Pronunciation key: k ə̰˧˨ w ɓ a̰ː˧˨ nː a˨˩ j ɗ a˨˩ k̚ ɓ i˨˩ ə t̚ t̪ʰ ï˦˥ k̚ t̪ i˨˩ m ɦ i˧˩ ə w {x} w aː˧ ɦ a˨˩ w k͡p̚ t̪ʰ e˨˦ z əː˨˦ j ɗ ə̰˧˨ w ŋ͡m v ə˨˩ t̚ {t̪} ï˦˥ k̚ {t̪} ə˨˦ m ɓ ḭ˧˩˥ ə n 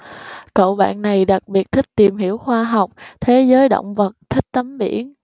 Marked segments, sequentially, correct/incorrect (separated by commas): correct, incorrect, correct